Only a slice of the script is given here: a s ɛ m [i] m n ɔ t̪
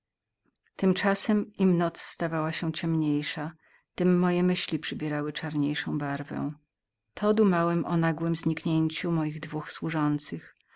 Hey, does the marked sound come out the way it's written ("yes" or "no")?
yes